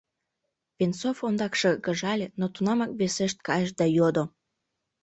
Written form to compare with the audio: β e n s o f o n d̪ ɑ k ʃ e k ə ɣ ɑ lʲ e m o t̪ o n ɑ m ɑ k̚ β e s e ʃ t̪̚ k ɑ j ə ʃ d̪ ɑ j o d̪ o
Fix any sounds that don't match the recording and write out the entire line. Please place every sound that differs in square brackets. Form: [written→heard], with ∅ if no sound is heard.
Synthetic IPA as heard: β e n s o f o n d̪ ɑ k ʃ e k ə [ɣ→ʒ] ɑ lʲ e [m→n] o t̪ [o→u] n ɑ m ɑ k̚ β e s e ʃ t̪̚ k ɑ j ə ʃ d̪ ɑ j o d̪ o